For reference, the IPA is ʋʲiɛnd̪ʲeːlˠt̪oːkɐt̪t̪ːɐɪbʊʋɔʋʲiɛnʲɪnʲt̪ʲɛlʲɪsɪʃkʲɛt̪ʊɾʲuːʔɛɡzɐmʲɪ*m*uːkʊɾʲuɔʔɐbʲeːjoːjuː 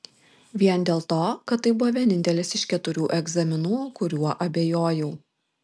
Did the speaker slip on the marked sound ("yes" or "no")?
yes